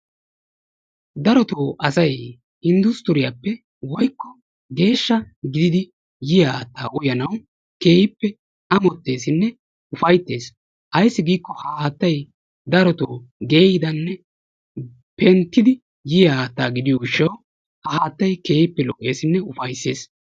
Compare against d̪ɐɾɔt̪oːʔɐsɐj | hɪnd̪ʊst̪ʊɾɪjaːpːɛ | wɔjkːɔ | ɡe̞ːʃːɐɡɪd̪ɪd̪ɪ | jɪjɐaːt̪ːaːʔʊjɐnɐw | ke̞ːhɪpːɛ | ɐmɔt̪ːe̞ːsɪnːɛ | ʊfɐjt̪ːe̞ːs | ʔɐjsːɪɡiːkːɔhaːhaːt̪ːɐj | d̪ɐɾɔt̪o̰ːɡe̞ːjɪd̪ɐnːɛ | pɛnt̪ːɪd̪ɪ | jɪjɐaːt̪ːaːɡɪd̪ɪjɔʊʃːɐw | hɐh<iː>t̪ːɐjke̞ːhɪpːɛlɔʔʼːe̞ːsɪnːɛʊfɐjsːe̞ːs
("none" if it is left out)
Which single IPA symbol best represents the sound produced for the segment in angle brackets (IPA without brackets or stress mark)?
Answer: aː